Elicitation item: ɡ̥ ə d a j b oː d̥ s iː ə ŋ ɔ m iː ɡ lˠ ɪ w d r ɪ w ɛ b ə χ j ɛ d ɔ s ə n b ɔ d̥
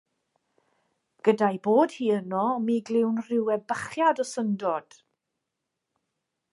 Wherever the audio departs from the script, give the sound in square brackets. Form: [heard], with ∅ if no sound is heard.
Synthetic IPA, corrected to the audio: ɡ̥ ə d a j b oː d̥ [h] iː ə [n] ɔ m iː ɡ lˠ ɪ w [n] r ɪ w ɛ b ə χ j [a] d ɔ s ə n [d] ɔ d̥

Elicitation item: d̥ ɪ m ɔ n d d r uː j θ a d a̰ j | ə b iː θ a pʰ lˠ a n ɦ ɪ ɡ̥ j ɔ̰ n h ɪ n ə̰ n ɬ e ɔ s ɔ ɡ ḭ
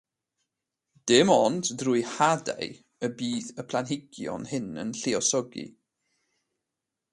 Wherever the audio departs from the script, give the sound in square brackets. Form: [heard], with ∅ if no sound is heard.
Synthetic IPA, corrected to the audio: d̥ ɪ m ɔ n d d r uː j [h] a d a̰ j | ə b iː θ [ə] pʰ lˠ a n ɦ ɪ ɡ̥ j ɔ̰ n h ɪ n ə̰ n ɬ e ɔ s ɔ ɡ ḭ

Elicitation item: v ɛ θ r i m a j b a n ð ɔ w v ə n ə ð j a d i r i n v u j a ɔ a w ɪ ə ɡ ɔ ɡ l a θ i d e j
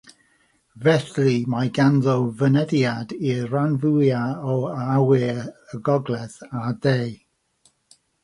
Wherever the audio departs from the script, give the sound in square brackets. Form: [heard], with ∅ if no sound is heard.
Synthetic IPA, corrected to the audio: v ɛ θ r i m a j [ɡ] a n ð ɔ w v ə n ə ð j a d i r [a] n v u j a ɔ a w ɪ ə ɡ ɔ ɡ l [ɛ] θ [a] d e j

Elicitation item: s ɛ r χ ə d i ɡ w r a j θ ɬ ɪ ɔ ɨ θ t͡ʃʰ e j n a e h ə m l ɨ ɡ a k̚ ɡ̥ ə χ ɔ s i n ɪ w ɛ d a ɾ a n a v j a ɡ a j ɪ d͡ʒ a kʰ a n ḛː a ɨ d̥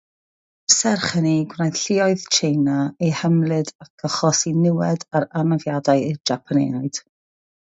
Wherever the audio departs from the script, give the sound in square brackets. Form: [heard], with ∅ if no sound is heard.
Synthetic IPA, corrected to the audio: s ɛ r χ ə [n] i ɡ w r a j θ ɬ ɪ ɔ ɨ [ð] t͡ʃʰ e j n a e h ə m l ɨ [d] a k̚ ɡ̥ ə χ ɔ s i n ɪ w ɛ d a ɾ a n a v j a [d] a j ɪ d͡ʒ a [pʰ] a n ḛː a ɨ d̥

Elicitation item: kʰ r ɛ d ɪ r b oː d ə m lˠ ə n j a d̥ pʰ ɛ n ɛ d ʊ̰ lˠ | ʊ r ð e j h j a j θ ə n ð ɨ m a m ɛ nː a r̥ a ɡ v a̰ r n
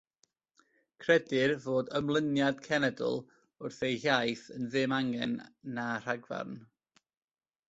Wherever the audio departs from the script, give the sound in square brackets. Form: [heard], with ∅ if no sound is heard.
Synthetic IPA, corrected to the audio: kʰ r ɛ d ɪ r [v] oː d ə m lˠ ə n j a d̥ [kʰ] ɛ n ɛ d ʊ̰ lˠ | ʊ r [θ] e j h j a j θ ə n ð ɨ m a [ŋ] ɛ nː a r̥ a ɡ v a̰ r n

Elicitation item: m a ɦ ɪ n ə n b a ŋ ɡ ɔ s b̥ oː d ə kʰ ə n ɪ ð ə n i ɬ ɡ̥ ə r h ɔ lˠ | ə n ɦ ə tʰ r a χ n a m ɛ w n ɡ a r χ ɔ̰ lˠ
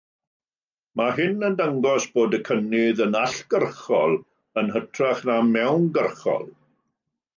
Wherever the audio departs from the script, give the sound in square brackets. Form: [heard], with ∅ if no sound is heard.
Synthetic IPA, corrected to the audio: m a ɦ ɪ n ə n [d] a ŋ ɡ ɔ s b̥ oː d ə kʰ ə n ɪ ð ə n [a] ɬ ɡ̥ ə r [χ] ɔ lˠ | ə n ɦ ə tʰ r a χ n a m ɛ w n ɡ [ə] r χ ɔ̰ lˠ

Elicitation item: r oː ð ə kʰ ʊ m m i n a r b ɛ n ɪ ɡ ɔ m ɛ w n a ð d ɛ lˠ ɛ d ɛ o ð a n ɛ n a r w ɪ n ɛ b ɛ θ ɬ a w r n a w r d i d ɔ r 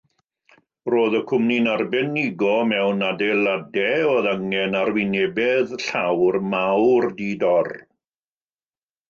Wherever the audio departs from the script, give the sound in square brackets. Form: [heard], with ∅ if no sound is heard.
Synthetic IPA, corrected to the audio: r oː ð ə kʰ ʊ m [n] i n a r b ɛ n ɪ ɡ ɔ m ɛ w n a [∅] d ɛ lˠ [a] d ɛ o ð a [ŋ] ɛ n a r w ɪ n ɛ b ɛ [ð] ɬ a w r [m] a w r d i d ɔ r

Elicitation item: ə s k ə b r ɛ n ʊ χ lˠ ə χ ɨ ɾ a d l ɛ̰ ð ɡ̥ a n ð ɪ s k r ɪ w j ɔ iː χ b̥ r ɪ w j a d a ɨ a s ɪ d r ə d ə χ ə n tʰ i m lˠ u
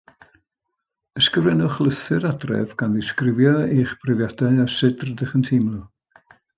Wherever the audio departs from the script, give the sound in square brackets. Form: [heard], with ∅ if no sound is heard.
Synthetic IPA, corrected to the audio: ə s k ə [v] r ɛ n ʊ χ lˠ ə [θ] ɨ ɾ a d [r] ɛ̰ [v] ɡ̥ a n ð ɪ s k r ɪ [v] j ɔ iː χ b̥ r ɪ [v] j a d a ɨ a s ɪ d r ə d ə χ ə n tʰ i m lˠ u

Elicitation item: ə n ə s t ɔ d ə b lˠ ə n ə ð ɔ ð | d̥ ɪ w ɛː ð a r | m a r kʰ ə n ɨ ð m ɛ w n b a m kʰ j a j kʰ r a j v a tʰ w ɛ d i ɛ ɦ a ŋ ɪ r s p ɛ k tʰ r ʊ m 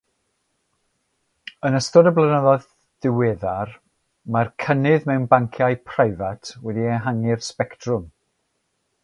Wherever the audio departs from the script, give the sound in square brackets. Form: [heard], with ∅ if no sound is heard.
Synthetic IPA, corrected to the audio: ə n ə s t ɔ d ə b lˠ ə n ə ð ɔ ð | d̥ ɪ w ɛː ð a r | m a r kʰ ə n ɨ ð m ɛ w n b a [ŋ] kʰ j a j [pʰ] r a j v a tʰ w ɛ d i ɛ ɦ a ŋ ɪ r s p ɛ k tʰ r ʊ m

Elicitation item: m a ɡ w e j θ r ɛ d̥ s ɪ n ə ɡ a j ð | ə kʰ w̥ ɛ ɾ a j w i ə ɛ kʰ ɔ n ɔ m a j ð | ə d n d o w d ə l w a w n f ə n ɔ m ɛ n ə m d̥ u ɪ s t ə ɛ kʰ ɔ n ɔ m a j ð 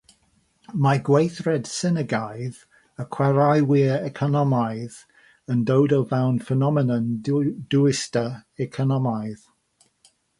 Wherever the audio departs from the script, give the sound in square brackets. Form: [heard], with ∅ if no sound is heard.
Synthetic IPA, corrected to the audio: m a ɡ w e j θ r ɛ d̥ s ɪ n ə ɡ a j ð | ə kʰ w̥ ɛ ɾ a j w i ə ɛ kʰ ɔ n ɔ m a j ð | ə [∅] n d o w d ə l [v] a w n f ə n ɔ m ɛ n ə [n] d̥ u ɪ s t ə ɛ kʰ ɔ n ɔ m a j ð

